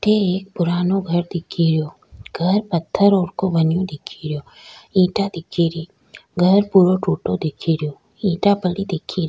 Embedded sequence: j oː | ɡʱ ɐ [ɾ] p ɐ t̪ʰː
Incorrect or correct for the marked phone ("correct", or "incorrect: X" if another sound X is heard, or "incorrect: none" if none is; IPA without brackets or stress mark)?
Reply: correct